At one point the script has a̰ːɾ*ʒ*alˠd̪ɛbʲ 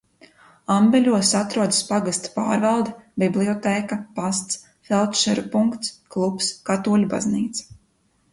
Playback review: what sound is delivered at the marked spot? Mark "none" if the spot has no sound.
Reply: v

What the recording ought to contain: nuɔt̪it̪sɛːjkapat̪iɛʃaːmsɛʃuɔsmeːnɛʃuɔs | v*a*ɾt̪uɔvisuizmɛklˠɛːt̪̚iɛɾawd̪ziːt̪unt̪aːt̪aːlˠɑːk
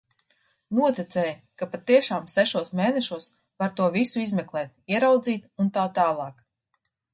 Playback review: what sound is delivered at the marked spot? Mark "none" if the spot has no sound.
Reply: a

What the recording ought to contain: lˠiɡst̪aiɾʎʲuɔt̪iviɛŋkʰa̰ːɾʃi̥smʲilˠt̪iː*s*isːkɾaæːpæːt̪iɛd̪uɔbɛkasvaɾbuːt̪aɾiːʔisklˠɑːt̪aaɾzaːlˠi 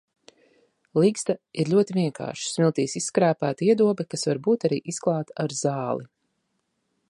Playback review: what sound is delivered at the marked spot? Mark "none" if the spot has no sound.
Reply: s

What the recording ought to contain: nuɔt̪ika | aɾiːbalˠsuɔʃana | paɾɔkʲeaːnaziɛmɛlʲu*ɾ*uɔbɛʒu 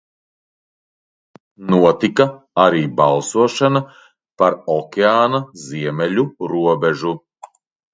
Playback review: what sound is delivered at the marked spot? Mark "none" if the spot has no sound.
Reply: ɾ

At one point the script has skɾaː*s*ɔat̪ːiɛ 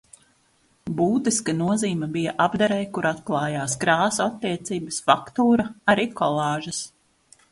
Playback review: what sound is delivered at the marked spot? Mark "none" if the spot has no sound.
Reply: s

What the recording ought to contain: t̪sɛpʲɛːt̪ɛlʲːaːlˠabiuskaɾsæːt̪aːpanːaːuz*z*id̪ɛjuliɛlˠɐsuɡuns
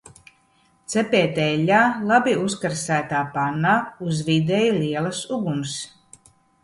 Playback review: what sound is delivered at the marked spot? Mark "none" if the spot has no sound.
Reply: v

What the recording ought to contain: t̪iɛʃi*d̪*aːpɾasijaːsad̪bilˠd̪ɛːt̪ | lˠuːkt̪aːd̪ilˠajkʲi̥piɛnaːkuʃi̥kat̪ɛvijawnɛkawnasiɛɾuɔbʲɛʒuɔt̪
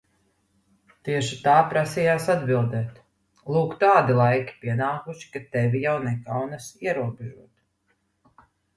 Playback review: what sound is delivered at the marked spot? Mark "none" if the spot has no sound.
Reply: t̪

